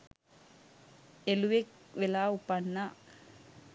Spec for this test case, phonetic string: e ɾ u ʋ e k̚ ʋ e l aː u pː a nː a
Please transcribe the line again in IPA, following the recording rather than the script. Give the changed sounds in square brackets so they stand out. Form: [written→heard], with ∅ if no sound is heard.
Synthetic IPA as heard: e [ɾ→l] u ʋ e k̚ ʋ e l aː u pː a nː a